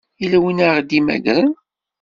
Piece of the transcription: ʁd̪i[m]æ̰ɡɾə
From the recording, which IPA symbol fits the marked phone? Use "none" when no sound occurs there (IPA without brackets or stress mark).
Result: m